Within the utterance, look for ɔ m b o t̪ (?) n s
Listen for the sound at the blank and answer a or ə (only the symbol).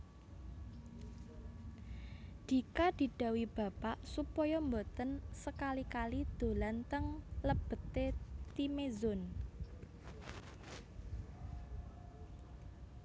ə